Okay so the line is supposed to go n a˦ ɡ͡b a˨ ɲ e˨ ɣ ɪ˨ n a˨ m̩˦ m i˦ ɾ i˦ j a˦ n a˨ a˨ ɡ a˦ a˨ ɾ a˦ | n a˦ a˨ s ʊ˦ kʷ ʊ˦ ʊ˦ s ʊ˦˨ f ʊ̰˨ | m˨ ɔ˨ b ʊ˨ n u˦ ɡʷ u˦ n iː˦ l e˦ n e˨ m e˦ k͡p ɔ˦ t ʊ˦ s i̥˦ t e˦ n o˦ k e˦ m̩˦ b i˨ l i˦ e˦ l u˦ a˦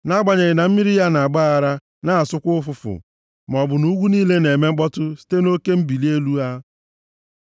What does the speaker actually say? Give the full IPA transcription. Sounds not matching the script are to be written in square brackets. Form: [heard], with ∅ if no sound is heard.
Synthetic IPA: n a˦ ɡ͡b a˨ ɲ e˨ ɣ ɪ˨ n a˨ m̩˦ m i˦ ɾ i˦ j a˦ n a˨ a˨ [ɡ͡b] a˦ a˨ ɾ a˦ | n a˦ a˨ s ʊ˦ kʷ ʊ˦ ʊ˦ [f] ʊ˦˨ f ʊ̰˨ | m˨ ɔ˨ b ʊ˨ n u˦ ɡʷ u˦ n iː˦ l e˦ n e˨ m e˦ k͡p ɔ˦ t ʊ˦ s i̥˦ t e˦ n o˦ k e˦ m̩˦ b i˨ l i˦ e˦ l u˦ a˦

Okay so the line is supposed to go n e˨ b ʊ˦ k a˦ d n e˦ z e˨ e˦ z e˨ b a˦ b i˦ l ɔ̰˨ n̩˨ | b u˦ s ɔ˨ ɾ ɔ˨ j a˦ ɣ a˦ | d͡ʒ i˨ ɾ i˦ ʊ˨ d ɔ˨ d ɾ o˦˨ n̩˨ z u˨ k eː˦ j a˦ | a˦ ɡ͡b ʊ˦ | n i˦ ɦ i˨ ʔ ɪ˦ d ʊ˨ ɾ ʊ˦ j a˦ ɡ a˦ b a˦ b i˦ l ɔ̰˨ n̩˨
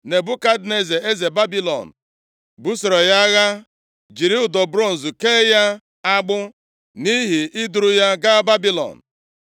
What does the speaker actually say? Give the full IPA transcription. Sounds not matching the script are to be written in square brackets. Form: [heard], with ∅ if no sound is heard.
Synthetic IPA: n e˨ b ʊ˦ k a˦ d n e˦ z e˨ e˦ z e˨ b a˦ b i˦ l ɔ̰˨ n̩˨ | b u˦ s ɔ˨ ɾ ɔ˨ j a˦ ɣ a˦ | d͡ʒ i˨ ɾ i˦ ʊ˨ d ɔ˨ [b] ɾ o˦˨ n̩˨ z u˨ k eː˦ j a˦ | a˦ ɡ͡b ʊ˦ | n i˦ ɦ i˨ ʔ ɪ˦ d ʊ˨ ɾ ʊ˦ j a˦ ɡ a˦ b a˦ b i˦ l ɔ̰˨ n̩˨

